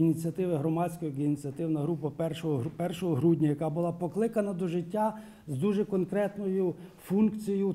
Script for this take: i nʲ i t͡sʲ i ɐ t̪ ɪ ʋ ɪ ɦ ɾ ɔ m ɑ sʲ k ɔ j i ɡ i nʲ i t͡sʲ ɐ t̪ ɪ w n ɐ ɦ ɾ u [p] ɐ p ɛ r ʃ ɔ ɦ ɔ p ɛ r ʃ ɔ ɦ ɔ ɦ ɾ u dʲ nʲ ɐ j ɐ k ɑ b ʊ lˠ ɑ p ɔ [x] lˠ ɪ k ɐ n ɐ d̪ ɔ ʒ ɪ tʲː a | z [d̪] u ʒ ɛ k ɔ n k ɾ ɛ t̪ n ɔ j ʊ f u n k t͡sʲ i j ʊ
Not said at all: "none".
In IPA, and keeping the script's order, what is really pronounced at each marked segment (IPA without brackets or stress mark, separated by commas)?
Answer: p, k, d̪